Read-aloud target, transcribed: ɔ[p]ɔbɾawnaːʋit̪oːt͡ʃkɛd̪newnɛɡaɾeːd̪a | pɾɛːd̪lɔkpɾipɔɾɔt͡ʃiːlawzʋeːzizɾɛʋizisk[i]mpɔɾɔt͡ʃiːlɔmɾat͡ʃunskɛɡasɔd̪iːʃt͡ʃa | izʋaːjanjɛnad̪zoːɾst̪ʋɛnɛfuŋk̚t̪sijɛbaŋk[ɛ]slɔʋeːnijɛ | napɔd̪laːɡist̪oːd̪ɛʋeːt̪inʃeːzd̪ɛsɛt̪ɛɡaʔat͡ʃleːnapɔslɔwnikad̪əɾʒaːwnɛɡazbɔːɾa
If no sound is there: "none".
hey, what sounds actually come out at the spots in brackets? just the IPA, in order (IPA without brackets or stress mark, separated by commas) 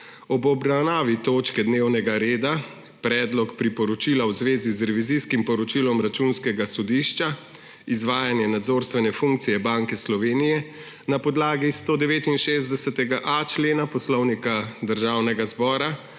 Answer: b, i, ɛ